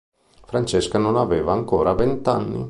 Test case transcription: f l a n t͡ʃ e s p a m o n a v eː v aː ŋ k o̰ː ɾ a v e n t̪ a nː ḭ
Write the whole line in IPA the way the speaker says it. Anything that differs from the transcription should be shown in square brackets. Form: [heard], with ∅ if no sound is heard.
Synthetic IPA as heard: f [ɾ] a n t͡ʃ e s [k] a [n] o n a v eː v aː ŋ k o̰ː ɾ a v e n t̪ a nː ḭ